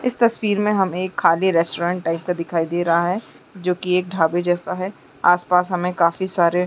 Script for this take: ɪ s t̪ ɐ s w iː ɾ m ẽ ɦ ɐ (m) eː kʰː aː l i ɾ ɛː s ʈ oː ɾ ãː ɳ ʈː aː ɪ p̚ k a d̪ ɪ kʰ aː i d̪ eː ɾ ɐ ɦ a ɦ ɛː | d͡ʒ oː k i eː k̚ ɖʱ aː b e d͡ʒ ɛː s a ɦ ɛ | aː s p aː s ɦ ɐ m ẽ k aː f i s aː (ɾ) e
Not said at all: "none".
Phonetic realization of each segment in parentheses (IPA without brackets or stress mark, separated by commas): m, ɾ